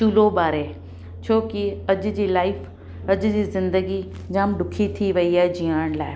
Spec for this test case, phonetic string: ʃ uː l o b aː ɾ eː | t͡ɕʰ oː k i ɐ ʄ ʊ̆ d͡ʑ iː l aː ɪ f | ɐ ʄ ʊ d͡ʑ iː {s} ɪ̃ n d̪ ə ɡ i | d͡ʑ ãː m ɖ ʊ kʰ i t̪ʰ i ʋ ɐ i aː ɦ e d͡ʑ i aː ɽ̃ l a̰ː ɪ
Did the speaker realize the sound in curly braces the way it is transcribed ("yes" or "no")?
no